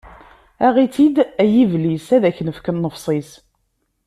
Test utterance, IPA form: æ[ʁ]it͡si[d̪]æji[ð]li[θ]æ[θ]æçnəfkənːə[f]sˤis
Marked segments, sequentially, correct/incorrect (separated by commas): correct, correct, incorrect, incorrect, incorrect, correct